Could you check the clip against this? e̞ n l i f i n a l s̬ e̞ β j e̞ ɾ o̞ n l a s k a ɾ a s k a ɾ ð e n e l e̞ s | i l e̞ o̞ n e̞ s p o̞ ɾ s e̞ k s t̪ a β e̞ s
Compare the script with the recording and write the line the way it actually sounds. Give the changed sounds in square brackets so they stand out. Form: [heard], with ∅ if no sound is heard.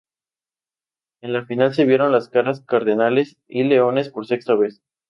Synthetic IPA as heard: e̞ n l [a] f i n a l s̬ e̞ β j e̞ ɾ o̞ n l a s k a ɾ a s k a ɾ ð e n [a] l e̞ s | i l e̞ o̞ n e̞ s p o̞ ɾ s e̞ k s t̪ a β e̞ s

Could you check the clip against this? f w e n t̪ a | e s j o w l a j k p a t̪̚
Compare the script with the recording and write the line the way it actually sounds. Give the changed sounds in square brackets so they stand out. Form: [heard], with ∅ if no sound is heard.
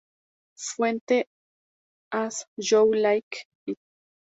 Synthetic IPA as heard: f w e n t̪ [e] | [a] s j o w l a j k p [i] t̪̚

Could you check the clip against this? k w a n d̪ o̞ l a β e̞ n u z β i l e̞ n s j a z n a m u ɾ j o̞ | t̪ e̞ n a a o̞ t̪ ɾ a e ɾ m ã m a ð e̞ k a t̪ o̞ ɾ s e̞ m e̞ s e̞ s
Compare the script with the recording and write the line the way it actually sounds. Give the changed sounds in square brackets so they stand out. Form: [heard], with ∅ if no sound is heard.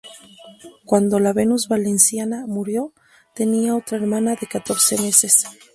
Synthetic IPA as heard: k w a n d̪ o̞ l a β e̞ n u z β [a] l e̞ n s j a [∅] n a m u ɾ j o̞ | t̪ e̞ n [i] a o̞ t̪ ɾ a e ɾ m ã [n] a ð e̞ k a t̪ o̞ ɾ s e̞ m e̞ s e̞ s

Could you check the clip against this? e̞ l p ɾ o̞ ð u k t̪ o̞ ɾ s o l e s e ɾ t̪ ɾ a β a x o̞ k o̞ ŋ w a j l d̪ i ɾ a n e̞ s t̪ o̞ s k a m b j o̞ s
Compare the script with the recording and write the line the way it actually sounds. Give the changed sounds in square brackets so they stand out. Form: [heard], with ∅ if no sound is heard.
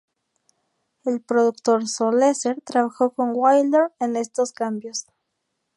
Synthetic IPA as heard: e̞ l p ɾ o̞ ð u k t̪ o̞ ɾ s o l e s e ɾ t̪ ɾ a β a x o̞ k o̞ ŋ w a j l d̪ [e] ɾ [e] n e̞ s t̪ o̞ s k a m b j o̞ s

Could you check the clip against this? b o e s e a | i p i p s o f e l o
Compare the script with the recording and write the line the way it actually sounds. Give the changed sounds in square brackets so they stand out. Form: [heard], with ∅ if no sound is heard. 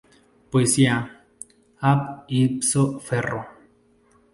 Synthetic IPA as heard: [p] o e s [i] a | [a] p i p s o f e [r] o

